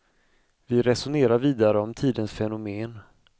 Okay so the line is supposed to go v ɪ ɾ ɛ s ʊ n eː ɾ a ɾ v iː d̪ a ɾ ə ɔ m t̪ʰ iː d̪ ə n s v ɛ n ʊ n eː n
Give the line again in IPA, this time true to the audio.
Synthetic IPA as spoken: v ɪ ɾ ɛ s ʊ n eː ɾ a ɾ v iː d̪ a ɾ ə ɔ m t̪ʰ iː d̪ ə n s f ɛ n ʊ m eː n